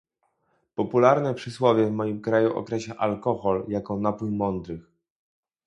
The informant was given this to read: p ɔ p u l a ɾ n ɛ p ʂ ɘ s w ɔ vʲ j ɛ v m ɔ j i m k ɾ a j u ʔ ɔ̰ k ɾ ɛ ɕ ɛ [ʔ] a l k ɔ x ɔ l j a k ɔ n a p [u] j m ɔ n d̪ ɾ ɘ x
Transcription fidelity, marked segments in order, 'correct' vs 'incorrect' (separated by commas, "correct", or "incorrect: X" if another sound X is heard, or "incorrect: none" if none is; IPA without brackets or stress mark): correct, correct